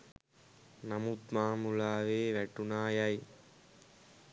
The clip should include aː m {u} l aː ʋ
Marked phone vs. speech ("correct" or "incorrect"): correct